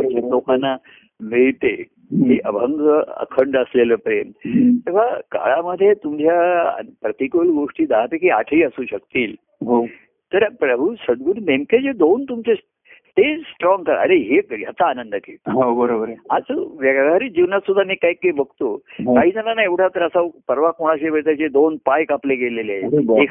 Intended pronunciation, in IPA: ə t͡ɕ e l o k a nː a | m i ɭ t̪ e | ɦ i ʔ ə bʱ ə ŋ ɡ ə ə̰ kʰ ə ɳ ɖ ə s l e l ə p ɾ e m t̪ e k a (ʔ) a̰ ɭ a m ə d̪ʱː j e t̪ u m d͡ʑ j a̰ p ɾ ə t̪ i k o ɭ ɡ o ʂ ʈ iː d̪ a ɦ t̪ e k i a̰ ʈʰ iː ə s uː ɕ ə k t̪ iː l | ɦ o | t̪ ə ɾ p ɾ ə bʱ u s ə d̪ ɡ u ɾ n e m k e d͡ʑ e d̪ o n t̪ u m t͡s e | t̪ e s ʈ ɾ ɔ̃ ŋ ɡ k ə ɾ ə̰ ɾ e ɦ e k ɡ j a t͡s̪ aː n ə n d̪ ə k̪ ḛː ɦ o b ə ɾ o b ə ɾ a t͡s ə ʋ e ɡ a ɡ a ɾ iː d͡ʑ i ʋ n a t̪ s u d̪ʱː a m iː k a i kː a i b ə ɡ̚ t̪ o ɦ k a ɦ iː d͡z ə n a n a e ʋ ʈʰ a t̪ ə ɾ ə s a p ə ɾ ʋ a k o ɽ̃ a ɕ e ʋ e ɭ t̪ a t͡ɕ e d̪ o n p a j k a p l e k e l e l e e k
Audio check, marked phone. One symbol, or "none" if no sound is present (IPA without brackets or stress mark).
k